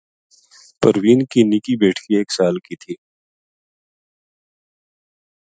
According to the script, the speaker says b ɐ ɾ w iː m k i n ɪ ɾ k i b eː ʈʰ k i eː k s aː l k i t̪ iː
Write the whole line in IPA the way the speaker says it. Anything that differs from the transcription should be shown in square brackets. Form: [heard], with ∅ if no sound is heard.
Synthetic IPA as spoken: [p] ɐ ɾ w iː [n] k i n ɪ [∅] k i b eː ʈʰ k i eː k s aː l k i [t̪ʰ] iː